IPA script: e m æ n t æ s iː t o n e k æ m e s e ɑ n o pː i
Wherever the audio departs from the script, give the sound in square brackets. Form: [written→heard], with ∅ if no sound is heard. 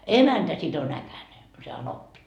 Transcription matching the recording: e m æ n t æ s [iː→i] t o n [e→æ] k æ [m→n] e s e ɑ n o pː i

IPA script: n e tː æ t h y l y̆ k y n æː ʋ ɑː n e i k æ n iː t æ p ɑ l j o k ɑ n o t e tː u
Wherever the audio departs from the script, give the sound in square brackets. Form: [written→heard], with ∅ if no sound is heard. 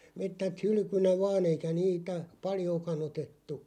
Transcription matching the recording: [n→m] e tː æ t h y l y̆ k y n [æː→æ] ʋ ɑː n e i k æ n iː t æ p ɑ l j [o→oː] k ɑ n o t e tː u

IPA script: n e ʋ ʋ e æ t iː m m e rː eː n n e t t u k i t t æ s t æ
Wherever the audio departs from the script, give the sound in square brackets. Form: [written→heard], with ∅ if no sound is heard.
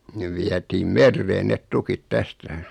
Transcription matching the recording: n e ʋ ʋ [e→i] æ t iː m m e rː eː n n e t t u k i t t æ s t æ

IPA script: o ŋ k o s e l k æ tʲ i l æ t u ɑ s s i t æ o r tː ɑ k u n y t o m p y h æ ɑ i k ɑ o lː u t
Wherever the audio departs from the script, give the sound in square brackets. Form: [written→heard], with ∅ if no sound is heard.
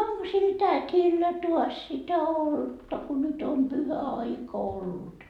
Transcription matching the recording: o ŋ k o s [e→i] l [k→t] æ tʲ i [l→lː] æ t u ɑ s s i t æ o [r→l] tː ɑ k u n y t o m p y h æ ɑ i k ɑ o lː u t

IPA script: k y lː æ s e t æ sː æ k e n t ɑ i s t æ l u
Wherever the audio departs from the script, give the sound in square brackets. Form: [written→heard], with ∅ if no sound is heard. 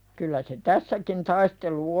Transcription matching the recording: k y lː æ s e t æ sː æ k [e→i] n t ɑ i s t [æ→e] l u

